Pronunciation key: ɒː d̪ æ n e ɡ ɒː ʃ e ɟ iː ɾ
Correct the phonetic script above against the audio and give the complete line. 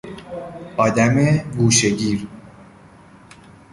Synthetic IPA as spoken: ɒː d̪ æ m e ɡ uː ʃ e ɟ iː ɾ